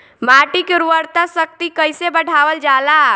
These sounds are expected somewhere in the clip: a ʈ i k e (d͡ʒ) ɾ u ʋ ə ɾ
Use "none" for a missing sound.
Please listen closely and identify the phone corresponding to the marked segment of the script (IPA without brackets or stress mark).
none